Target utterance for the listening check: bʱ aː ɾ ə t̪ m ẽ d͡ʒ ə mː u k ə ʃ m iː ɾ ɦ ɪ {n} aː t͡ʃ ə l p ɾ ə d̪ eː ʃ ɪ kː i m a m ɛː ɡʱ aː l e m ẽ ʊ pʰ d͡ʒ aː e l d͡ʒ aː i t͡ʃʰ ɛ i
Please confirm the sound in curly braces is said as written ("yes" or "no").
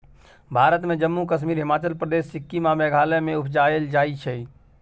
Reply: no